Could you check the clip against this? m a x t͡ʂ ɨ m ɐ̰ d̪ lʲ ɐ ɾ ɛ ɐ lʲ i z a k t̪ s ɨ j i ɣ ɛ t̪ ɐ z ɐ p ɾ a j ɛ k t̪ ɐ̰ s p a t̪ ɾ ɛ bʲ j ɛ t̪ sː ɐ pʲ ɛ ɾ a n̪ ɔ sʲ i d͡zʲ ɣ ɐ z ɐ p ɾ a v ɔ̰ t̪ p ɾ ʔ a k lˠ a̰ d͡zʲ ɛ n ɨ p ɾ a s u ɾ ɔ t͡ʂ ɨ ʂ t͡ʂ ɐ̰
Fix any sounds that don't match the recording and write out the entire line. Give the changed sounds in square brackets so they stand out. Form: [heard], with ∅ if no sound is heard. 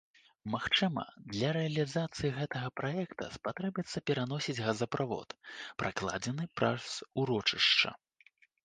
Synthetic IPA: m a x t͡ʂ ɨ m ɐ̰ d̪ lʲ ɐ ɾ ɛ ɐ lʲ i z a [∅] t̪ s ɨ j i ɣ ɛ t̪ ɐ [ɣ] ɐ p ɾ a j ɛ k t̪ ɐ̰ s p a t̪ ɾ ɛ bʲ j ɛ t̪ sː ɐ pʲ ɛ ɾ a n̪ ɔ sʲ i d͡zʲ ɣ ɐ z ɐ p ɾ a v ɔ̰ t̪ p ɾ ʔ a k lˠ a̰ d͡zʲ ɛ n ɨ p ɾ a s u ɾ ɔ t͡ʂ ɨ ʂ t͡ʂ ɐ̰